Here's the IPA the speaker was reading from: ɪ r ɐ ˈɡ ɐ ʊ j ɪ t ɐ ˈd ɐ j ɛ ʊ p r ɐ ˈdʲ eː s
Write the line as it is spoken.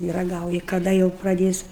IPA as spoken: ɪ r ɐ ˈɡ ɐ ʊ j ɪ k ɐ ˈd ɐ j ɛ ʊ p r ɐ ˈdʲ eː s